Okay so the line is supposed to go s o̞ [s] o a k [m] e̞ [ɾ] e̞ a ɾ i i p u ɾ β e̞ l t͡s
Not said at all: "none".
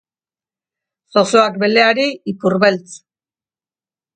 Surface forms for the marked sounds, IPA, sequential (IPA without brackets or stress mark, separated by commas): s, b, l